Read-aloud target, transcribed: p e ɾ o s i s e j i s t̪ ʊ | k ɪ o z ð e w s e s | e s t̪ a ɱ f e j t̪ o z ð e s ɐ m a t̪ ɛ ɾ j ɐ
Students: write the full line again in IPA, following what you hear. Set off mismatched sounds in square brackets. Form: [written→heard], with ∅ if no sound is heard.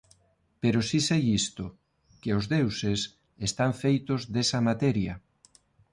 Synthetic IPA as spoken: p e ɾ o s i s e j i s t̪ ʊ | k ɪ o z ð e w s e s | e s t̪ a ɱ f e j t̪ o z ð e s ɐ m a t̪ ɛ ɾ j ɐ